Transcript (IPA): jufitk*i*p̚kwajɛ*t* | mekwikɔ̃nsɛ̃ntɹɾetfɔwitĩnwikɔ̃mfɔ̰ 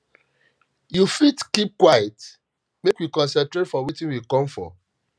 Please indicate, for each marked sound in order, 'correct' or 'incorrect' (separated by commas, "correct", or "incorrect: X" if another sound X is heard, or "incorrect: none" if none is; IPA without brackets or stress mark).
correct, correct